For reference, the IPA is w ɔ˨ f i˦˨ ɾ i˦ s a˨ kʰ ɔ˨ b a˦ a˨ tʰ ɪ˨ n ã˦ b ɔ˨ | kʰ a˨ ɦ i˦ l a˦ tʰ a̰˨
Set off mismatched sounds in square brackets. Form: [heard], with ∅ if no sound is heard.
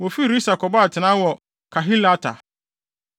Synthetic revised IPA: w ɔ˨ f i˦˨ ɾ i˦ s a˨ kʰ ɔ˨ b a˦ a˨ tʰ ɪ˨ n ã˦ [w] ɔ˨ | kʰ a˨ ɦ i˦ l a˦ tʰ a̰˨

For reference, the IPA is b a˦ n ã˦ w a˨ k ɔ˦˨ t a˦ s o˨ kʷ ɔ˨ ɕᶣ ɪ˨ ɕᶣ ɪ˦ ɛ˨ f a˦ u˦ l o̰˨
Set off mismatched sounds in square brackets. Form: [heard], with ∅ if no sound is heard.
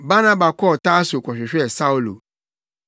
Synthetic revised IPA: b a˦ n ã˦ [b] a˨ k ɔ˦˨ t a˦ s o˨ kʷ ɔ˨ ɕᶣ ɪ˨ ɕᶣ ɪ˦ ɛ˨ [s] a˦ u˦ l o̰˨

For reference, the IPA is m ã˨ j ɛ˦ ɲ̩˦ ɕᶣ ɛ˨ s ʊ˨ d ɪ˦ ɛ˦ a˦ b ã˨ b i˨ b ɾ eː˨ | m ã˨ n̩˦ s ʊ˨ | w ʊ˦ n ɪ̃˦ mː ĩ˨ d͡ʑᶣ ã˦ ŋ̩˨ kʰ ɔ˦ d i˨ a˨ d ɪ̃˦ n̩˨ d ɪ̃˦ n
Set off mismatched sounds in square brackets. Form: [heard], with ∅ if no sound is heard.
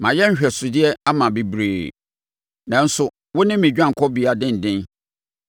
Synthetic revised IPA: m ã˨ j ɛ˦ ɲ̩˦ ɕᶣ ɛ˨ s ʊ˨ d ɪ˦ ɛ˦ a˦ [m] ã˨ b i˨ b ɾ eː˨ | [n] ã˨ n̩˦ s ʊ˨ | w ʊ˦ n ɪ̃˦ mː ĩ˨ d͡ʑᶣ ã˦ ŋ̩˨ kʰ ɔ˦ [b] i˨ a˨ d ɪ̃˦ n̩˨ d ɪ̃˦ n

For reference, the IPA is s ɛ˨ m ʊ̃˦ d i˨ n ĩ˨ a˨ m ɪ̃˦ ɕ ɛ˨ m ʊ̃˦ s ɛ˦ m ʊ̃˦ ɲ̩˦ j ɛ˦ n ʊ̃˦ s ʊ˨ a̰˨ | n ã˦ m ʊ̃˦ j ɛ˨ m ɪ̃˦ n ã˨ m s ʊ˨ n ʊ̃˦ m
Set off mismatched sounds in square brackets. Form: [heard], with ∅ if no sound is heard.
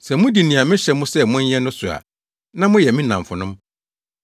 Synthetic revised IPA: s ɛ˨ m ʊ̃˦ d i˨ n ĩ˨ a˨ m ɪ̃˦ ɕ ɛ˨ m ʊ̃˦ s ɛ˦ m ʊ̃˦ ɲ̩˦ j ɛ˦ n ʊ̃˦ s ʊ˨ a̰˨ | n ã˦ m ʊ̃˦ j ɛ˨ m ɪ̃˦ n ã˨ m [f] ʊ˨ n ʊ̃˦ m

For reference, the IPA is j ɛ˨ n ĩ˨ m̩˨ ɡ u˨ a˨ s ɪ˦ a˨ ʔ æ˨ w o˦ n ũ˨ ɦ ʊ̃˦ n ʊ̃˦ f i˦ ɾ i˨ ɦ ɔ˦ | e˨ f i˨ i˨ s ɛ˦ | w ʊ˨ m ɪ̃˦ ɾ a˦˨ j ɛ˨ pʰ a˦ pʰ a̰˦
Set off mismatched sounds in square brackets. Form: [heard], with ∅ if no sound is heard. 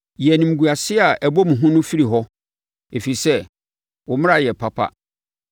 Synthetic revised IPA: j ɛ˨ n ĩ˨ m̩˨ ɡ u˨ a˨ s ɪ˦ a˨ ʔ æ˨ [b] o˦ [m] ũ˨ ɦ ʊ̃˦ n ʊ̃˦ f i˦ ɾ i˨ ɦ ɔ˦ | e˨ f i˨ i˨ s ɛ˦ | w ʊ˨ m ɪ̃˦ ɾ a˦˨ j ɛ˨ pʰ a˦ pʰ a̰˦

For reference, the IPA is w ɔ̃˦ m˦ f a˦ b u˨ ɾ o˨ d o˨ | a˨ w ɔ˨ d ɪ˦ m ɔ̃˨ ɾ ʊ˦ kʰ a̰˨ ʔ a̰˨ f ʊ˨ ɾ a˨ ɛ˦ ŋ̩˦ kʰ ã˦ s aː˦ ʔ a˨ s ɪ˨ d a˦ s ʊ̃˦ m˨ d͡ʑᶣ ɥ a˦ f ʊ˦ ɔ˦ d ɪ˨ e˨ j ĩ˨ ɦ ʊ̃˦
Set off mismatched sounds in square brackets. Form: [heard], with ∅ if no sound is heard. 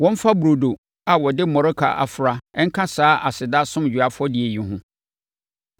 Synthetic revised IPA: w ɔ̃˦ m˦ f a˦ b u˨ ɾ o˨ d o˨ | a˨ w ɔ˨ d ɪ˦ m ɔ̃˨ ɾ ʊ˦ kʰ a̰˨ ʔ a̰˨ f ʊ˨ ɾ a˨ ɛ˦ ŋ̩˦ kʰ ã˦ s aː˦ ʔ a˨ s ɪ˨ d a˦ s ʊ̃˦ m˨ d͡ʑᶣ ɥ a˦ f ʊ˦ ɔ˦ d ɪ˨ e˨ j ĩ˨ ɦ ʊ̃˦

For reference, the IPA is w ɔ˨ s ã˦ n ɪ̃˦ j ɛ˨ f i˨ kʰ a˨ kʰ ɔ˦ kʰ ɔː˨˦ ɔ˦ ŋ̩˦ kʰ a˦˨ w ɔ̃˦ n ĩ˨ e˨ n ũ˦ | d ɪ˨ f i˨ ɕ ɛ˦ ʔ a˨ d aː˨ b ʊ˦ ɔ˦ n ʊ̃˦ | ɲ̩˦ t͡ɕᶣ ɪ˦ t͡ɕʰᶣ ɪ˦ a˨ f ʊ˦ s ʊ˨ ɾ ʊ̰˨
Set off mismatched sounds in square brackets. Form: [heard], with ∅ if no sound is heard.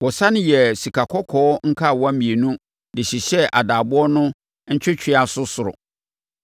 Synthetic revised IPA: w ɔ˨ s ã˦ n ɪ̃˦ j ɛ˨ [s] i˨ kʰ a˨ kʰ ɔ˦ kʰ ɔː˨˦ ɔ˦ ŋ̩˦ kʰ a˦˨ w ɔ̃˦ [m] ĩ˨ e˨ n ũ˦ | d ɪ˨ [ɕ] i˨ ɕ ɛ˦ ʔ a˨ d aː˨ b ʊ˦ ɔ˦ n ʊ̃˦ | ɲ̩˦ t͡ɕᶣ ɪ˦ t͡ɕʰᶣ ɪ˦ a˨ [s] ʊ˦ s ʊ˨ ɾ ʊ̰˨

